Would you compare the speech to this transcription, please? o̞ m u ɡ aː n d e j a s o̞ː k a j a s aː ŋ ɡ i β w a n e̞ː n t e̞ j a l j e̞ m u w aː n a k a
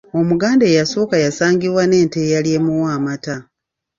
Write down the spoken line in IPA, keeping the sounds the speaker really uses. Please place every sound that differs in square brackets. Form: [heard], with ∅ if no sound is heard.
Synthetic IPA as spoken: o̞ m u ɡ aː n d e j a s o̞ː k a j a s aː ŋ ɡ i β w a n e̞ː n t e̞ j a l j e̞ m u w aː [m] a [t] a

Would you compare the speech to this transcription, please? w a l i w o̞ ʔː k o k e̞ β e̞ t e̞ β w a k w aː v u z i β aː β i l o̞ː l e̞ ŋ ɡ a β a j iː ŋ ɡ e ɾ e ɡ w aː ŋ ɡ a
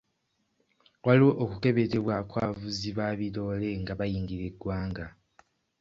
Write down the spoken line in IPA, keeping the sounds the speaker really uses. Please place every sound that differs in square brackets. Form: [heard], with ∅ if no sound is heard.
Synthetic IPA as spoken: w a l i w o̞ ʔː k [u] k e̞ β e̞ t e̞ β w a k w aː v u z i β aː β i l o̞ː l e̞ ŋ ɡ a β a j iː ŋ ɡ [i] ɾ e ɡ w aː ŋ ɡ a

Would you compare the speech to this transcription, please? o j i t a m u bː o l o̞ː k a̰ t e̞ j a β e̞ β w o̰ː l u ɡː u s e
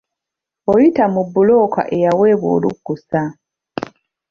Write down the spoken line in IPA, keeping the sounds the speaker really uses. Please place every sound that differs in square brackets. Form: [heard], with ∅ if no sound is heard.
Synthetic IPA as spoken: o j i t a m u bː [u] l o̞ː k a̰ [ʔ] e̞ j a [w] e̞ β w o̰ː l u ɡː u s [a]

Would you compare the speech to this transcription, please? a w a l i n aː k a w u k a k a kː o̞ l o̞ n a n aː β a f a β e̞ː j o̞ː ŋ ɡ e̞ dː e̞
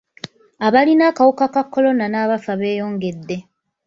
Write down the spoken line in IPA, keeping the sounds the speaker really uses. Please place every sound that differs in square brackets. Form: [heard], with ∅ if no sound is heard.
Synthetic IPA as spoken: a [β] a l i n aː k a w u k a k a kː o̞ l o̞ n a n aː β a f a β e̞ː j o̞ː ŋ ɡ e̞ dː e̞

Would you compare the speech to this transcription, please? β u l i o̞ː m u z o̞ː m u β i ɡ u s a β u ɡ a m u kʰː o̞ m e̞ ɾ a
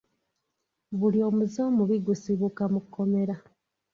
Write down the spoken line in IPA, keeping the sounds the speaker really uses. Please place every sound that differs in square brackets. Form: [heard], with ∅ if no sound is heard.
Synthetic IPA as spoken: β u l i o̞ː m u z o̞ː m u β i ɡ u s [i] β u [k] a m u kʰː o̞ m e̞ ɾ a

